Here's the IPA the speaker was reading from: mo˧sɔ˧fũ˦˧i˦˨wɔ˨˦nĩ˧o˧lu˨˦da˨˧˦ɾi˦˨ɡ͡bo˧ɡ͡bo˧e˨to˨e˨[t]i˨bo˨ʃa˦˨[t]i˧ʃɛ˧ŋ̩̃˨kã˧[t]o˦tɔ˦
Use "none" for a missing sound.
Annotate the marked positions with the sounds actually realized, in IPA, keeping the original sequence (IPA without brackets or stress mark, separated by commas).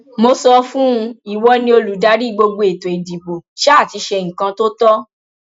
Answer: d, t, t